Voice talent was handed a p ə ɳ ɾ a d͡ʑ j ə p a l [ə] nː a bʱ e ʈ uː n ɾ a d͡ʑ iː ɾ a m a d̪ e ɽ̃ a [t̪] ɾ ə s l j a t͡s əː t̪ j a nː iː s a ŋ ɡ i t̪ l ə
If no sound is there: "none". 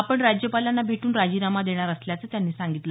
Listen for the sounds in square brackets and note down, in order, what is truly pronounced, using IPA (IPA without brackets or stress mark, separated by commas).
a, none